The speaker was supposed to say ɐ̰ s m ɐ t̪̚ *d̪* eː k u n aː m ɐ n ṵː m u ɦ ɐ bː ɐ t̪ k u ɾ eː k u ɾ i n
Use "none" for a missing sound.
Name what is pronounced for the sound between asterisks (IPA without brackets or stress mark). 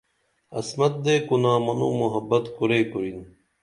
d̪